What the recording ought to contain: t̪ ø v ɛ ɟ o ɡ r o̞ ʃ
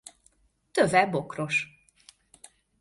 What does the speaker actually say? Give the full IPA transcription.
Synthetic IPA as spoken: t̪ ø v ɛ b o k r o̞ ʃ